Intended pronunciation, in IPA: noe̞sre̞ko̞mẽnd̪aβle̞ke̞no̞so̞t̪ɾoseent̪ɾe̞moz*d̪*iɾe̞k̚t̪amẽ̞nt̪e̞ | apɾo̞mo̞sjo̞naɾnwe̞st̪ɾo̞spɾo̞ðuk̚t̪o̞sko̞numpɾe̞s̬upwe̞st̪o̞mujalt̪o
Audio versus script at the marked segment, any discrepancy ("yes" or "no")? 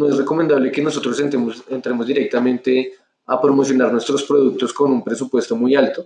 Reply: no